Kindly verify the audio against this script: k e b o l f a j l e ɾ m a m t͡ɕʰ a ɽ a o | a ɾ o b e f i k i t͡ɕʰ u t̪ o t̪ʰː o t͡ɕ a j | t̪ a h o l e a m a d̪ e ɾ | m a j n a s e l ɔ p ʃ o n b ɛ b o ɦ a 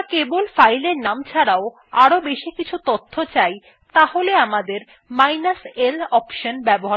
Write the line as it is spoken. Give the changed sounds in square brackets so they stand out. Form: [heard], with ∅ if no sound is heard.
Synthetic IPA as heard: k e b o l f a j l e ɾ [n] a m t͡ɕʰ a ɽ a o | a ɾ o b e [ʃ] i k i t͡ɕʰ u t̪ o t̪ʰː o t͡ɕ a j | t̪ a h o l e a m a d̪ e ɾ | m a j n a s e l ɔ p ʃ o n b ɛ b o ɦ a